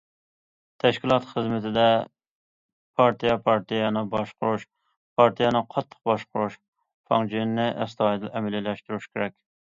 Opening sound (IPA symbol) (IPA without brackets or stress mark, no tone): t̪ʰ